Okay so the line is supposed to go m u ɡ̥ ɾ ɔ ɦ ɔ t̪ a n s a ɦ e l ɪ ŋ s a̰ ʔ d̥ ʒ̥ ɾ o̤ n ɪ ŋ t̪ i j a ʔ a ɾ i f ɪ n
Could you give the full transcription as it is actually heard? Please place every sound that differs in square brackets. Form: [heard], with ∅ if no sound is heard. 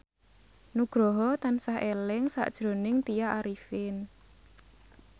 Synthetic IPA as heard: [n] u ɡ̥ ɾ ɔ ɦ ɔ t̪ a n s a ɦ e l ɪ ŋ s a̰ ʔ d̥ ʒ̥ ɾ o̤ n ɪ ŋ t̪ i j a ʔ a ɾ i f ɪ n